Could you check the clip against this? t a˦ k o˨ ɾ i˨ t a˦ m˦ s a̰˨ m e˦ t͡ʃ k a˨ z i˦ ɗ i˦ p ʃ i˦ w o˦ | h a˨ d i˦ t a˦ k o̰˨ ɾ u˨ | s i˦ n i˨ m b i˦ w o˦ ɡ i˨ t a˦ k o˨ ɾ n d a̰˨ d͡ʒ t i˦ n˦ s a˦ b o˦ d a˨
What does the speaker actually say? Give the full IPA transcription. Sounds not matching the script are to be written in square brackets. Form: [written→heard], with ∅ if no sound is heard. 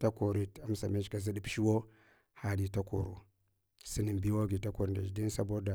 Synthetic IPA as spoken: t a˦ k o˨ ɾ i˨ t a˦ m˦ s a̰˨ m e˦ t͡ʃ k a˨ z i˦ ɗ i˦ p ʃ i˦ w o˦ | h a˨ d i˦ t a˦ k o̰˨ ɾ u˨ | s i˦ n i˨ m b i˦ w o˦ ɡ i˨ t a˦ k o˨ ɾ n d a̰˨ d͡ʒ [t→d] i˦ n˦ s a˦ b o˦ d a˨